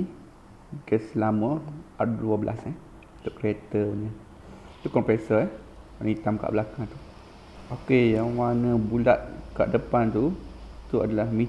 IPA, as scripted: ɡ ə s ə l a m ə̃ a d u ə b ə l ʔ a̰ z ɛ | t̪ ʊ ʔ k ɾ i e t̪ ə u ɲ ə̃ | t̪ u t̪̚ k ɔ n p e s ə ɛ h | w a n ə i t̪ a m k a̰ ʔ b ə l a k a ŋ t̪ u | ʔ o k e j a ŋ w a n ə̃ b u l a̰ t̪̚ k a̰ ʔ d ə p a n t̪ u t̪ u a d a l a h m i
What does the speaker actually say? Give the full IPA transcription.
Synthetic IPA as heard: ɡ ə s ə l a m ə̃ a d u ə b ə l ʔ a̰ s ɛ | t̪ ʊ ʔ k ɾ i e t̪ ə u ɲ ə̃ | t̪ u k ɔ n p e s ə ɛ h | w a n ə i t̪ a m k a̰ ʔ b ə l a k a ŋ t̪ u | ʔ o k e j a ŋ w a n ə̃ b u l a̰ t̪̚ k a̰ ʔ d ə p a n t̪ u t̪ u a d a l a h m i